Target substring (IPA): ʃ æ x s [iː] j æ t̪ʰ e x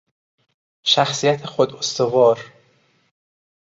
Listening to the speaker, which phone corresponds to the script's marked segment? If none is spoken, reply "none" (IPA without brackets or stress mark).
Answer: i